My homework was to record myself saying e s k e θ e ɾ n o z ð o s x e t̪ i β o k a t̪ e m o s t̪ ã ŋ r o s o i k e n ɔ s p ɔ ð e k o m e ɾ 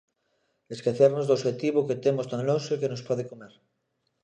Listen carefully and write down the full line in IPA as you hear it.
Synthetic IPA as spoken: e s k e θ e ɾ n o z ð o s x e t̪ i β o k e t̪ e m o s t̪ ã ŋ l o s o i k e n o s p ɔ ð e k o m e ɾ